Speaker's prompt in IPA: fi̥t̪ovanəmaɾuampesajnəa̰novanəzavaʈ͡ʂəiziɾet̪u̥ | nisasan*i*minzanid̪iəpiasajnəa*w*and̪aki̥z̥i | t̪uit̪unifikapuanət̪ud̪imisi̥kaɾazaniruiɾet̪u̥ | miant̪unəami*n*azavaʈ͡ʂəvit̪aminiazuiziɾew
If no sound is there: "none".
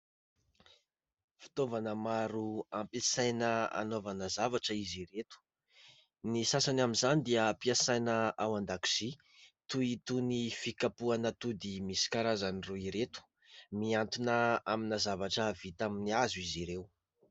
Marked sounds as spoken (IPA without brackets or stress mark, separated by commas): a, w, n